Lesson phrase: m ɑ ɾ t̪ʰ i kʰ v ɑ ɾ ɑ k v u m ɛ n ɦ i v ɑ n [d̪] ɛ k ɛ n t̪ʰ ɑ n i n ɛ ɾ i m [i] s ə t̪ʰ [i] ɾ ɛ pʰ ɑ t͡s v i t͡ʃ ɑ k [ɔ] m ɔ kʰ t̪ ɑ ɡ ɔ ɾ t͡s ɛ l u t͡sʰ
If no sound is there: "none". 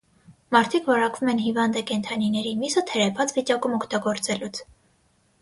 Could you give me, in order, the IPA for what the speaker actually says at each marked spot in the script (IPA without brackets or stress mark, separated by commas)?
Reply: d̪, i, ɛ, u